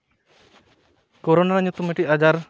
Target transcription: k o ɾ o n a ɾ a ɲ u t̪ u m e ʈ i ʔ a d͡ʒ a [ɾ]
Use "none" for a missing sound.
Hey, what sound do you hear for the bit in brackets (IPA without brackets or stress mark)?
ɾ